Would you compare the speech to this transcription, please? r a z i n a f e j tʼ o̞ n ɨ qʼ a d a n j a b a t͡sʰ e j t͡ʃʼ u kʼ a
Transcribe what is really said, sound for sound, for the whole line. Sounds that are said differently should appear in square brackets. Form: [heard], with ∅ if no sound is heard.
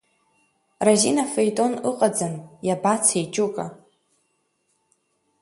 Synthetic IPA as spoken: r a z i n a f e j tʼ o̞ n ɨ qʼ a [d͡z] a n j a b a t͡sʰ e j t͡ʃʼ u kʼ a